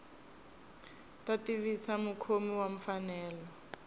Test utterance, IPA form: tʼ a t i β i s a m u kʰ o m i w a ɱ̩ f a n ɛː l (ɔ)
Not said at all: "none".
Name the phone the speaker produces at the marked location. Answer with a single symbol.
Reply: ɔ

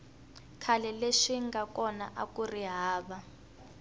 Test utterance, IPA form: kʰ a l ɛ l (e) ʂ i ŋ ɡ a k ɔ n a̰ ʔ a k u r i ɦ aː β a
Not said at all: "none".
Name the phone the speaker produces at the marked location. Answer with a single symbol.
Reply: e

